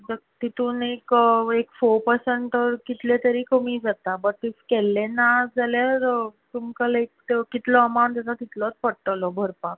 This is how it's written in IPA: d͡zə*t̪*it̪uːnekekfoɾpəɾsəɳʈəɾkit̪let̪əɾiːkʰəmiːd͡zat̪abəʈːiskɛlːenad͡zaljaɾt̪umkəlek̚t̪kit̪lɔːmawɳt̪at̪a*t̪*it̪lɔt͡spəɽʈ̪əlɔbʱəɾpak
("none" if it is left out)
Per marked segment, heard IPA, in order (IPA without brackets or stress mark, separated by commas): t̪, t̪